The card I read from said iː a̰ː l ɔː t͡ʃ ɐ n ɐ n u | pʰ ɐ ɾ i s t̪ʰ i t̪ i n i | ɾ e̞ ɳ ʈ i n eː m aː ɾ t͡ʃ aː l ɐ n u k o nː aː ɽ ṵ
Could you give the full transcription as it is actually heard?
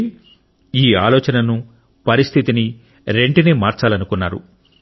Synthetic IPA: iː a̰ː l ɔː t͡ʃ ɐ n ɐ n u | p ɐ ɾ i s t̪ʰ i t̪ i n i | ɾ e̞ ɳ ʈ i n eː m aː ɾ t͡ʃ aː l ɐ n u k u nː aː ɾ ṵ